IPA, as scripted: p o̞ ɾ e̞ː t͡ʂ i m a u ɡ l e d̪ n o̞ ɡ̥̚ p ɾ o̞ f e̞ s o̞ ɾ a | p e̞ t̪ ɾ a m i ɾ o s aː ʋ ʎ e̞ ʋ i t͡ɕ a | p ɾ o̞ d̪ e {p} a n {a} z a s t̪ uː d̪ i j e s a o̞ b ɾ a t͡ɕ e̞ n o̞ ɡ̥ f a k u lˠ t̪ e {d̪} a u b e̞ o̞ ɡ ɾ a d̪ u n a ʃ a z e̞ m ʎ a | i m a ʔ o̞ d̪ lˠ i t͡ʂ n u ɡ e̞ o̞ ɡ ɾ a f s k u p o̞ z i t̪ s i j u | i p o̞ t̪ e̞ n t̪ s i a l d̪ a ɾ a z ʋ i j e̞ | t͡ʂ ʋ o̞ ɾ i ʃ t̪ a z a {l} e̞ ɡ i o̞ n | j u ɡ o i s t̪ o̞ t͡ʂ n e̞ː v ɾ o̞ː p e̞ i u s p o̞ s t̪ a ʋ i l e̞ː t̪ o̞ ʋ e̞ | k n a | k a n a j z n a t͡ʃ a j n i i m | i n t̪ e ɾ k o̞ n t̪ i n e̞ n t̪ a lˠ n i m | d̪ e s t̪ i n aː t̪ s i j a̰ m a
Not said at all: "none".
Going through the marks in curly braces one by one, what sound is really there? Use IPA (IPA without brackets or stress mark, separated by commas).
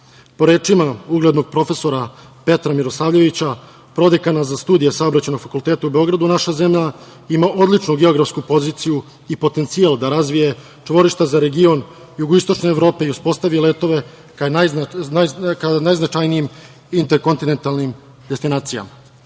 k, a, t̪, ɾ